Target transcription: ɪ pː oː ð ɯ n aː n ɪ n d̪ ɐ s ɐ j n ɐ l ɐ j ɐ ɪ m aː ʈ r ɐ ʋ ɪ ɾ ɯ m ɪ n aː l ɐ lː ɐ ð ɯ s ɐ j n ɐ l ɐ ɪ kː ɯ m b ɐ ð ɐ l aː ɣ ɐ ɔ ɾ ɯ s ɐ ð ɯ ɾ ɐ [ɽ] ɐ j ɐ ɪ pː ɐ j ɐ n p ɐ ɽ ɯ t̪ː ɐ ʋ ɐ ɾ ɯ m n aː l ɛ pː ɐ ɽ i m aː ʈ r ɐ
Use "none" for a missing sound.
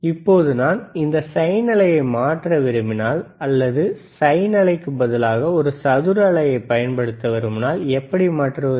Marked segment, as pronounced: ɭ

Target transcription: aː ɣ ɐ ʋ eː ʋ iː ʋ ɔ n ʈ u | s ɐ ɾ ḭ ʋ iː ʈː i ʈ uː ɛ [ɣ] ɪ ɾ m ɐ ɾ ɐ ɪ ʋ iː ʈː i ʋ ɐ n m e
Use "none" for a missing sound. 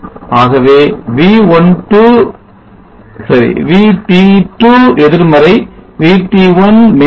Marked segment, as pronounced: ð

